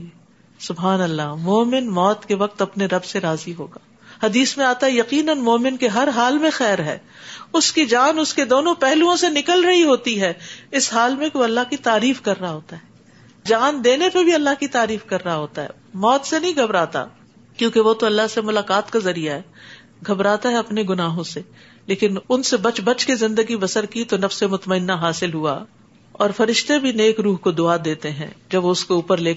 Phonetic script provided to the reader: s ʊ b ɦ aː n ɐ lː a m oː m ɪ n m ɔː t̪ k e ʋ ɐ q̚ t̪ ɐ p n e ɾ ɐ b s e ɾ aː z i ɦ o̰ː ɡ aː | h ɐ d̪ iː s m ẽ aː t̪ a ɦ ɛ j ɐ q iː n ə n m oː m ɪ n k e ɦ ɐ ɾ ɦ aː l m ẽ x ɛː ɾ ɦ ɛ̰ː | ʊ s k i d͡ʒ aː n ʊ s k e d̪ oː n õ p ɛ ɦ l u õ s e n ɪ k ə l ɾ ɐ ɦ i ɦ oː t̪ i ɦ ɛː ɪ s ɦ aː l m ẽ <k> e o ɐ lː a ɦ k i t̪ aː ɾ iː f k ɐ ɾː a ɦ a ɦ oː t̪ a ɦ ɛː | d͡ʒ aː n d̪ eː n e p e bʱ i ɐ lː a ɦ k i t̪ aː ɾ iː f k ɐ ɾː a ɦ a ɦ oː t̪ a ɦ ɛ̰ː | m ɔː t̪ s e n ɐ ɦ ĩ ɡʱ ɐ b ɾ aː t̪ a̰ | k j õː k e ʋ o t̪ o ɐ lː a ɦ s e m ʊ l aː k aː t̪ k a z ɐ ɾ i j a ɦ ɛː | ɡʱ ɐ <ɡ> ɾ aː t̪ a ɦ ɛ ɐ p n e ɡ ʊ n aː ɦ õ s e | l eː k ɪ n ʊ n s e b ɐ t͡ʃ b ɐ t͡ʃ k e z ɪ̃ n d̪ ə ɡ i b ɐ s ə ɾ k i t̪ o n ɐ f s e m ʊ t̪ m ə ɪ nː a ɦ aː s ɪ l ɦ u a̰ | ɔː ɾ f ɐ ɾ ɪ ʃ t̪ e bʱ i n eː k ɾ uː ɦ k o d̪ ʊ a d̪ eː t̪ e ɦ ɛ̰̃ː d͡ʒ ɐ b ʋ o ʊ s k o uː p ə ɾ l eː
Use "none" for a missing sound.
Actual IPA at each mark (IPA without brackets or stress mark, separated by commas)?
k, b